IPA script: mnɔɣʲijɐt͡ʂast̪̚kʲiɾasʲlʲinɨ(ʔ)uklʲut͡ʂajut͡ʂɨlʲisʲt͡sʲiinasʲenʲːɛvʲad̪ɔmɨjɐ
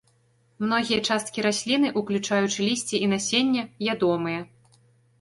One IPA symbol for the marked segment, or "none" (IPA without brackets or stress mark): ʔ